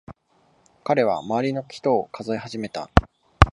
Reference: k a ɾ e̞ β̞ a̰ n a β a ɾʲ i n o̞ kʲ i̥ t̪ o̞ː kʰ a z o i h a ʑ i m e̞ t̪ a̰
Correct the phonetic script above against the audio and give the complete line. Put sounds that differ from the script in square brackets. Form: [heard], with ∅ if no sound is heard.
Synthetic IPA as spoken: k a ɾ e̞ β̞ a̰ [m] a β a ɾʲ i n o̞ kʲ i̥ t̪ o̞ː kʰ a z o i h a ʑ i m e̞ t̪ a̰